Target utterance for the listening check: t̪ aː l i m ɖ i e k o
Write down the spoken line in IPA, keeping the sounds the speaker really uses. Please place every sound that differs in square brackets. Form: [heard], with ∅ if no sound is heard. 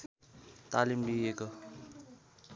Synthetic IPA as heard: t̪ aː l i m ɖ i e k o